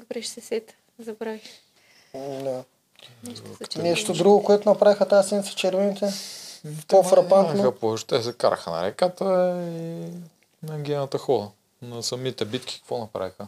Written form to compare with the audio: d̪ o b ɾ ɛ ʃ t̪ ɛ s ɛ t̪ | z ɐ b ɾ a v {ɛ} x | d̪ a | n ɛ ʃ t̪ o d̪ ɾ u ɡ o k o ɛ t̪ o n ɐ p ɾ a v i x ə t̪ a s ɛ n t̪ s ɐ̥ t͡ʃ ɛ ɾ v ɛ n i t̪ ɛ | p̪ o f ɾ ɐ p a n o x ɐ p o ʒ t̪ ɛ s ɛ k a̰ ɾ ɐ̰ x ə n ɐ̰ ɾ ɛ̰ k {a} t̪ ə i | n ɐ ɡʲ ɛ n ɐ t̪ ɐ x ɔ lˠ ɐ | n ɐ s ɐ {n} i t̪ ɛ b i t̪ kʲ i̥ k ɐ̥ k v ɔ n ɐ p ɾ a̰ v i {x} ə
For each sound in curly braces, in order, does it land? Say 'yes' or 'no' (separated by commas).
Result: no, yes, no, yes